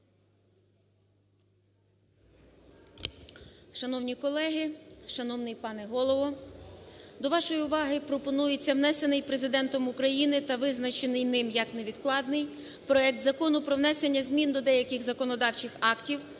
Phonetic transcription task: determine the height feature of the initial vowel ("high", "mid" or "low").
low